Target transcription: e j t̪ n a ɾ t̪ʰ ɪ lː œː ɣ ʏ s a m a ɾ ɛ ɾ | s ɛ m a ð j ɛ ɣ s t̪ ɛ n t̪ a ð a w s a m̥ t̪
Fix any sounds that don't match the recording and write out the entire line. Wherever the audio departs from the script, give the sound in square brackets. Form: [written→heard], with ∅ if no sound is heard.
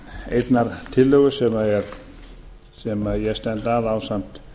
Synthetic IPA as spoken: e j t̪ n a ɾ t̪ʰ ɪ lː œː ɣ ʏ s [a→ɛ] m a [ɾ→∅] ɛ ɾ | s ɛ m a ð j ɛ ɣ s t̪ ɛ n t̪ a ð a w s a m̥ t̪